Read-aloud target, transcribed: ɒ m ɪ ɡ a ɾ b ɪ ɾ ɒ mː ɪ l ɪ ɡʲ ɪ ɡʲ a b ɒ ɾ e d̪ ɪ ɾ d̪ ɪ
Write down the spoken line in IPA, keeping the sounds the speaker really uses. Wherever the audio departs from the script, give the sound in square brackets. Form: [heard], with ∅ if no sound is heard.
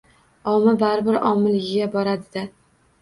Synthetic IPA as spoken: ɒ m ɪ [b] a ɾ b ɪ ɾ ɒ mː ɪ l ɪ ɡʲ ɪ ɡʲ a b ɒ ɾ [a] d̪ ɪ [∅] d̪ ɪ

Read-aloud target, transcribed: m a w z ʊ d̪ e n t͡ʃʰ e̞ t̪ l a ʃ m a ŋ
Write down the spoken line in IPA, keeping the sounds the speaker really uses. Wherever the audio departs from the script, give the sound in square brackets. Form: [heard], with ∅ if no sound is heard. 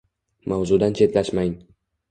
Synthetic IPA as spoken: m a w z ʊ d̪ [a] n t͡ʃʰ e̞ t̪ l a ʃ m a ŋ

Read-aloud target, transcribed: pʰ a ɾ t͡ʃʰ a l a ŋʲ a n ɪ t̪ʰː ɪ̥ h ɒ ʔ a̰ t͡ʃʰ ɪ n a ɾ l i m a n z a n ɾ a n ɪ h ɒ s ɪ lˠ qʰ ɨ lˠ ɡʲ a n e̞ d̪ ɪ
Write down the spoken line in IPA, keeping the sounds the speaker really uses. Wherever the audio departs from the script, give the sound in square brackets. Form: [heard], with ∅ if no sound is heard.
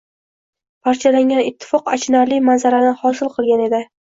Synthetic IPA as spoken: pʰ a ɾ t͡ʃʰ a l a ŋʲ a n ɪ t̪ʰː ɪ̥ [f] ɒ [q] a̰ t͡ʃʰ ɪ n a ɾ l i m a n z a [∅] ɾ a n ɪ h ɒ s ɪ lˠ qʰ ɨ lˠ ɡʲ a n e̞ d̪ ɪ

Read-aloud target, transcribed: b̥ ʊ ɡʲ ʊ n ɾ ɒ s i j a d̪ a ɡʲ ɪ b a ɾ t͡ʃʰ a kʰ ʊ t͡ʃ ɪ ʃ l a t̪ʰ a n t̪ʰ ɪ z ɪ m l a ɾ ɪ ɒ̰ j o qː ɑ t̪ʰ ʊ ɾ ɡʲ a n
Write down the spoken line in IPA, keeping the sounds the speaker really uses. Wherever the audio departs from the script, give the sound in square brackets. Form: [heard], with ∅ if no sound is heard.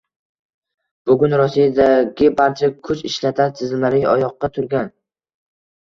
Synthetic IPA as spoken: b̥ ʊ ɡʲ ʊ n ɾ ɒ s i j a d̪ a ɡʲ ɪ b a ɾ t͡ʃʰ a kʰ ʊ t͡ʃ ɪ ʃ l a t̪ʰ a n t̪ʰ ɪ z ɪ m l a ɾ ɪ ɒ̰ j [ɒ] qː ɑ t̪ʰ ʊ ɾ ɡʲ a n

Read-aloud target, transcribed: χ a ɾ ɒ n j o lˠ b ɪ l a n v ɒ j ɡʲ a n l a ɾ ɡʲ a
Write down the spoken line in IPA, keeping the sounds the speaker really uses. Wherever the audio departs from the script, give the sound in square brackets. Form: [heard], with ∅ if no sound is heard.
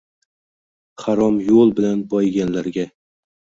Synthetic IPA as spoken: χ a ɾ ɒ [m] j o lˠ b ɪ l a n [b] ɒ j ɡʲ a n l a ɾ ɡʲ a

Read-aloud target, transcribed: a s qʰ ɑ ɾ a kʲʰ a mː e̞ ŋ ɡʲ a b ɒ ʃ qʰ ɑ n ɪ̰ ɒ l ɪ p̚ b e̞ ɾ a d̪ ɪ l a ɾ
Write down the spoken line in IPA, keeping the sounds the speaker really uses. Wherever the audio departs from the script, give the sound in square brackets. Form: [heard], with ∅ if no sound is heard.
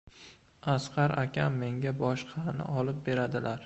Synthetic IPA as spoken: a s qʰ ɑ ɾ a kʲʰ a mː e̞ ŋ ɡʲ a b ɒ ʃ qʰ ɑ n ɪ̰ ɒ l ɪ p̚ b e̞ ɾ a d̪ ɪ l a ɾ

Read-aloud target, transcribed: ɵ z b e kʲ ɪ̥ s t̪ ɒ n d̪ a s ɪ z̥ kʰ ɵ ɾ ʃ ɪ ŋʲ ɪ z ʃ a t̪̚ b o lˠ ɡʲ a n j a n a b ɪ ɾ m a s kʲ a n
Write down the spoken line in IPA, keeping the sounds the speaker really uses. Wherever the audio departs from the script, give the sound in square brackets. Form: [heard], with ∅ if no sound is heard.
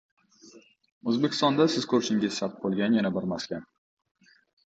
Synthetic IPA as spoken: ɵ z b e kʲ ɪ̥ s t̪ ɒ n d̪ a s ɪ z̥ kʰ ɵ ɾ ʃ ɪ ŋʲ ɪ z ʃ a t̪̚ b o lˠ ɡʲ a n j a n a b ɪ ɾ m a s kʲ a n

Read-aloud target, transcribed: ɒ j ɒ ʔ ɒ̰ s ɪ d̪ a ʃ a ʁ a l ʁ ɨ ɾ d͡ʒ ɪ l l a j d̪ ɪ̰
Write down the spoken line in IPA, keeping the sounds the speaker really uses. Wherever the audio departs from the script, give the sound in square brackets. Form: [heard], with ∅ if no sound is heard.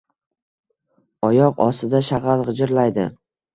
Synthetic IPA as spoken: ɒ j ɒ [q] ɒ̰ s ɪ d̪ a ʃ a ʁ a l ʁ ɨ [∅] d͡ʒ ɪ [ɾ] l a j d̪ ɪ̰

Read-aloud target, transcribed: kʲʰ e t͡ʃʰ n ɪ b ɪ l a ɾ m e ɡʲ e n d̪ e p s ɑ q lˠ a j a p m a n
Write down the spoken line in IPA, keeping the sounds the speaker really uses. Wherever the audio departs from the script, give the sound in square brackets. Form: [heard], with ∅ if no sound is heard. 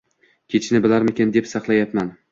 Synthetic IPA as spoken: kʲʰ e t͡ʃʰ n ɪ b ɪ l a ɾ m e [kʲ] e n d̪ e p s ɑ q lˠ a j a p m a n

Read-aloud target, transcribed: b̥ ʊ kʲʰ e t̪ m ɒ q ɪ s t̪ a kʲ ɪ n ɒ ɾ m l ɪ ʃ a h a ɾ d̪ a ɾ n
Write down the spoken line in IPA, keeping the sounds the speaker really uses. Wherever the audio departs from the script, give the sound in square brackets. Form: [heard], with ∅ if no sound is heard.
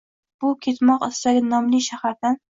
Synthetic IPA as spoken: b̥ ʊ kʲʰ e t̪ m ɒ q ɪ s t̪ a [ɡʲ] ɪ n ɒ [∅] m l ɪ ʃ a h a ɾ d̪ a [∅] n

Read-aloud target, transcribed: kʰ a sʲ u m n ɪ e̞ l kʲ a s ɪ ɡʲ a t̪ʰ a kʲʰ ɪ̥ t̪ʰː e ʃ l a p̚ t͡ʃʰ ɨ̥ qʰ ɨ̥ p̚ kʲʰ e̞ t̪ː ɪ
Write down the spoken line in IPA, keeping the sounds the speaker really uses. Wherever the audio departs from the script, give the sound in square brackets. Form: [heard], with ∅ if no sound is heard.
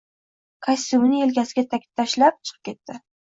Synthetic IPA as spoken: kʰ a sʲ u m n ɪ e̞ l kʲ a s ɪ ɡʲ a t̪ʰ a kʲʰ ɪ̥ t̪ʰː [a] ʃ l a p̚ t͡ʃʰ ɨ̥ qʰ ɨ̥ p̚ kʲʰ e̞ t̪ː ɪ

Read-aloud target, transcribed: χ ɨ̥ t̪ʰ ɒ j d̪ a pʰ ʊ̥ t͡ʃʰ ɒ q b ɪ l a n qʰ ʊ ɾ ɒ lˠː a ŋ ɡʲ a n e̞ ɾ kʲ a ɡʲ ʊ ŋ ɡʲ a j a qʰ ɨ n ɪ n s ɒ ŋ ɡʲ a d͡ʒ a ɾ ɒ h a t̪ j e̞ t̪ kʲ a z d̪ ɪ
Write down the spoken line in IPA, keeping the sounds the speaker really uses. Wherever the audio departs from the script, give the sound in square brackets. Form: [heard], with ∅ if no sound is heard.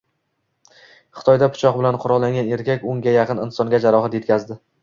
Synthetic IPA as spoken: χ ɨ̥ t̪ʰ ɒ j d̪ a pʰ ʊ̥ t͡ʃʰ ɒ q b ɪ l a n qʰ ʊ ɾ ɒ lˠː a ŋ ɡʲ a n e̞ ɾ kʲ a [kʲ] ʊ ŋ ɡʲ a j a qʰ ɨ n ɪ n s ɒ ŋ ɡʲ a d͡ʒ a ɾ ɒ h a t̪ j e̞ t̪ kʲ a z d̪ ɪ

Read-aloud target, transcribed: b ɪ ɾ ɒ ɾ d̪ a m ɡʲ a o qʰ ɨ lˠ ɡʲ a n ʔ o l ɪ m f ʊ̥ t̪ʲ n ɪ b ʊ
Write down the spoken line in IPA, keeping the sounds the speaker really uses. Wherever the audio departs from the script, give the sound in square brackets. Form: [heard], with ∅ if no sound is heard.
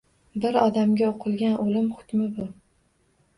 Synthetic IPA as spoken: b ɪ ɾ ɒ [∅] d̪ a m ɡʲ a o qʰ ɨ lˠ ɡʲ a n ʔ o l ɪ m [χ] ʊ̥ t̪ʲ [m] ɪ b ʊ

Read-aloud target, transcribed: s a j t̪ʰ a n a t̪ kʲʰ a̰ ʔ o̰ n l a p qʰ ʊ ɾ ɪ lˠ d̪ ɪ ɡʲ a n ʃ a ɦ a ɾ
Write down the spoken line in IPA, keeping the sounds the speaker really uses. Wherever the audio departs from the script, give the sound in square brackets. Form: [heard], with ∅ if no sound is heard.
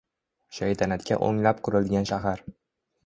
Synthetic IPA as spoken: [ʃ] a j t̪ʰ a n a t̪ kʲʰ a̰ ʔ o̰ [ŋ] l a p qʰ ʊ ɾ ɪ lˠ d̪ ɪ ɡʲ a n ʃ a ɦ a ɾ

